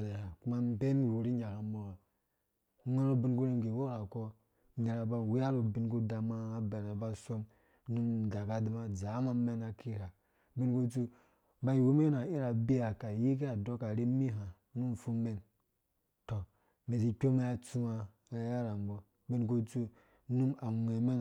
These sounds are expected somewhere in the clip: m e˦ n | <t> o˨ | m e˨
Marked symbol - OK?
yes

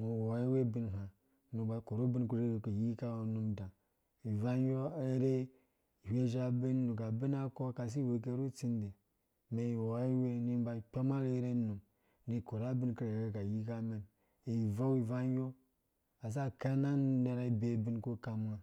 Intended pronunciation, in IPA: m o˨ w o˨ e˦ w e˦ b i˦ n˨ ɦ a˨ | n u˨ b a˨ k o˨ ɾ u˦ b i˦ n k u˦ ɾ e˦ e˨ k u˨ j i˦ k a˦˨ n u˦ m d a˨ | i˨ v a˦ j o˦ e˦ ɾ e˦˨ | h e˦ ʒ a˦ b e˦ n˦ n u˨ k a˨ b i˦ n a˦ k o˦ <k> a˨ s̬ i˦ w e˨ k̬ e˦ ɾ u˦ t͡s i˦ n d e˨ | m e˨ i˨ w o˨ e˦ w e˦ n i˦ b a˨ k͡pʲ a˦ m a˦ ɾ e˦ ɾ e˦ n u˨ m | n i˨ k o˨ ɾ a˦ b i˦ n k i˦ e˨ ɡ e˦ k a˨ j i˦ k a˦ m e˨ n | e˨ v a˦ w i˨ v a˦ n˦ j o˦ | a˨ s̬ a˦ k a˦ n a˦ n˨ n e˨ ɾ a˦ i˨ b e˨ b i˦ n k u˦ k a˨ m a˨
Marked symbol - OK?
yes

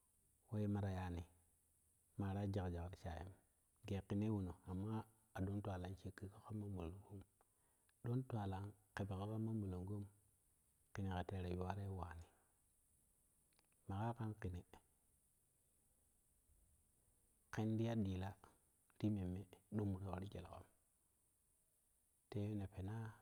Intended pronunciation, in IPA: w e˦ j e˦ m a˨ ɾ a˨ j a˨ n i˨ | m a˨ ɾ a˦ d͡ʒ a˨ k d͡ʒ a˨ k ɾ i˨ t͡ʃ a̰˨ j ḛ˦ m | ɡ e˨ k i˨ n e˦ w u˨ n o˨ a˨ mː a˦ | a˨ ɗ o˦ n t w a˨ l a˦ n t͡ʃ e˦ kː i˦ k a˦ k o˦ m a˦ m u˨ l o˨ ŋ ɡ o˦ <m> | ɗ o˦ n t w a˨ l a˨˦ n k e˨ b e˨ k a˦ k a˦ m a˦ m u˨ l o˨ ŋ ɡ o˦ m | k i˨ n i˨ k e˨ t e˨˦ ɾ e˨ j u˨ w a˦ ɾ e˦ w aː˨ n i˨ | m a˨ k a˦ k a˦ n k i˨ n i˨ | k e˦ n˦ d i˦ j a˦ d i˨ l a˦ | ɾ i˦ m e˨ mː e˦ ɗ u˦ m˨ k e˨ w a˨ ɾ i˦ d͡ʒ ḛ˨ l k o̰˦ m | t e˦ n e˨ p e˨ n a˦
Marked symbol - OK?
yes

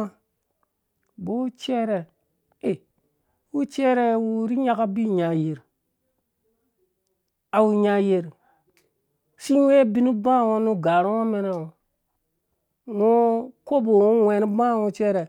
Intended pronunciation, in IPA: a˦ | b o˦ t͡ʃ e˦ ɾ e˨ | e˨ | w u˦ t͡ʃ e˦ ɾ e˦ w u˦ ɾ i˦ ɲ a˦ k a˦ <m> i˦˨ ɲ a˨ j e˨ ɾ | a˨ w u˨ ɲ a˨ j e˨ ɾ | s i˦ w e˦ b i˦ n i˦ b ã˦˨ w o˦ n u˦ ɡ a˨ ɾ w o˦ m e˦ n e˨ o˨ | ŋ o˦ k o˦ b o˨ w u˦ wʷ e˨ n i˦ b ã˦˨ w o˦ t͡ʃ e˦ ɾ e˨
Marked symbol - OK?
no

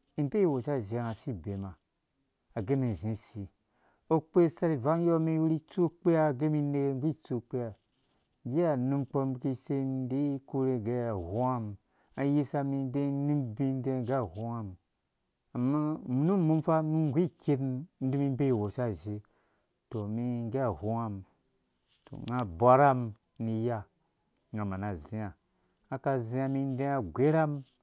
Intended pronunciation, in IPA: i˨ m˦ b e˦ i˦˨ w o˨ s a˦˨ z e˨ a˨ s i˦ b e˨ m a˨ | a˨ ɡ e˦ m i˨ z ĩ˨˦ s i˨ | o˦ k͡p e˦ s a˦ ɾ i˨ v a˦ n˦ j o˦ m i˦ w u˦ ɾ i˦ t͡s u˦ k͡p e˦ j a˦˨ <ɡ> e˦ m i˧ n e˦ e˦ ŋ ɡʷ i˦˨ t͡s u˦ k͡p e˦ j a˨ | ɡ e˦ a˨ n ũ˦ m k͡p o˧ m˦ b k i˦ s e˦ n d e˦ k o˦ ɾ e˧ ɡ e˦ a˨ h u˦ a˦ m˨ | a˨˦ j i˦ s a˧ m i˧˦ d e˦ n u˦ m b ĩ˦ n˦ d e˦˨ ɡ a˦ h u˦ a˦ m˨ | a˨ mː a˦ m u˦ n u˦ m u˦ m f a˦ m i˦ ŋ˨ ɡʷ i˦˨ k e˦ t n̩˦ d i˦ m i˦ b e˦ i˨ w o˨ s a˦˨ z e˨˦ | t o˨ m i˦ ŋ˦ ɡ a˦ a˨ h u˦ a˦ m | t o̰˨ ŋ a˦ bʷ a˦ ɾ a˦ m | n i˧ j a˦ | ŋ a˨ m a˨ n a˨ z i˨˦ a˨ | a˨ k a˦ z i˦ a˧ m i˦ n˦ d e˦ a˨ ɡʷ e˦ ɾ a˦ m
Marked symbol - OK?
yes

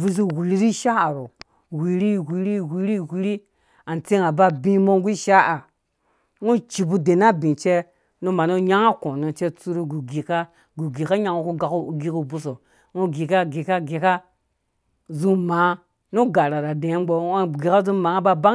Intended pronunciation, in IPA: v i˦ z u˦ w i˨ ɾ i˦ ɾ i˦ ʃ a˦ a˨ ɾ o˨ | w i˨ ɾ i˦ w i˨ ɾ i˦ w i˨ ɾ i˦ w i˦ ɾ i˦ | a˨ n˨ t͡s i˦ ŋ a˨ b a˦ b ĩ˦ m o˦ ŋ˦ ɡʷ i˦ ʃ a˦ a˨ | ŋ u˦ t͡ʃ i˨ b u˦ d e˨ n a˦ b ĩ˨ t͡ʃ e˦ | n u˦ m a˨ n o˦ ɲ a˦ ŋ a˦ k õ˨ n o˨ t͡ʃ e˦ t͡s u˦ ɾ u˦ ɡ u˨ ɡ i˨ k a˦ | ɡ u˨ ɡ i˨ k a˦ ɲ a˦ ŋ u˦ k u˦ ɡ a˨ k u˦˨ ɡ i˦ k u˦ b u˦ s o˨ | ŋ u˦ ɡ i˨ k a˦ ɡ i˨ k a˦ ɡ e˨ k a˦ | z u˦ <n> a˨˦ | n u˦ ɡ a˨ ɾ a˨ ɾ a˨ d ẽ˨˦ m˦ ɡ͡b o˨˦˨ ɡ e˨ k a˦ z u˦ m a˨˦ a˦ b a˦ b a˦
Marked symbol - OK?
no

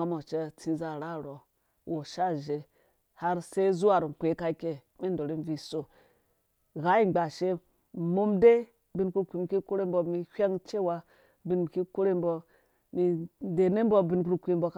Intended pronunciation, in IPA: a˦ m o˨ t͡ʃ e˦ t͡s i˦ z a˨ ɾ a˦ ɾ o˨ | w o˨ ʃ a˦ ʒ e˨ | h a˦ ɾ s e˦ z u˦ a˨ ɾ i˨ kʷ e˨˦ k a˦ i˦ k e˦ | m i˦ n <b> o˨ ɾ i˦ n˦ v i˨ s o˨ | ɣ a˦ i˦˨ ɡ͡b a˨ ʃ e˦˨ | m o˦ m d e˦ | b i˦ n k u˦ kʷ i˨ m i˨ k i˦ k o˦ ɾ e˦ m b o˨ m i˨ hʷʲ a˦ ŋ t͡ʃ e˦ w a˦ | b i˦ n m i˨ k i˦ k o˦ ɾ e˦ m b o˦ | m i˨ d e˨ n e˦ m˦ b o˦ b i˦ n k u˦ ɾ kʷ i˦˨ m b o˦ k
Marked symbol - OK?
no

